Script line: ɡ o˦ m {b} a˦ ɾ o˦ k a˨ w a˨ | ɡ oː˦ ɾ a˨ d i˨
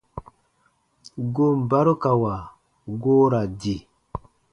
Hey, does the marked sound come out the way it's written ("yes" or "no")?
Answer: yes